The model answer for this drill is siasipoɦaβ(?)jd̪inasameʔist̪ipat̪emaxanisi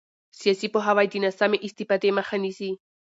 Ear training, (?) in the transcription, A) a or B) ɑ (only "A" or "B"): A